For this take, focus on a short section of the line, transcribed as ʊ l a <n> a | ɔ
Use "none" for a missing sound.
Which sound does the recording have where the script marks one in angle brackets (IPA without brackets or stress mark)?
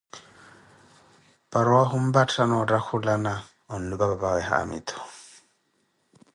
n